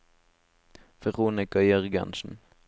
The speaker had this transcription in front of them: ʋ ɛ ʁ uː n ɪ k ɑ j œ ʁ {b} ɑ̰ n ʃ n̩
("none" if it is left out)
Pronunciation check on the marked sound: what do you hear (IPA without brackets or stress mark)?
ɡ